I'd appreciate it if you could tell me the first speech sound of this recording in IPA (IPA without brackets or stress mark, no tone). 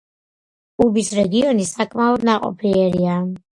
u